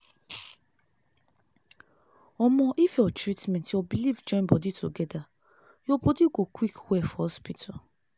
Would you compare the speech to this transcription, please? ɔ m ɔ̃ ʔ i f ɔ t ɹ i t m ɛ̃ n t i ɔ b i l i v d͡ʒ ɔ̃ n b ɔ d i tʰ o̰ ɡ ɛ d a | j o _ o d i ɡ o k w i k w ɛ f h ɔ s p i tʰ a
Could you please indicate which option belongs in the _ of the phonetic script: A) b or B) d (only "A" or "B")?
A